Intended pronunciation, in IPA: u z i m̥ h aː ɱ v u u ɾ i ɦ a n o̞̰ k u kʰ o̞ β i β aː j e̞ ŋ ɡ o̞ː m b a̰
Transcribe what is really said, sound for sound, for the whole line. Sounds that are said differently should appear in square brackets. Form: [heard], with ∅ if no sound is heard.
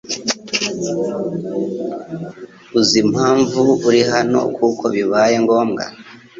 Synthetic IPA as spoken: u z i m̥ h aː ɱ v u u ɾ i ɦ a n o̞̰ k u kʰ o̞ β i β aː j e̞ ŋ ɡ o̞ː m [ɡ] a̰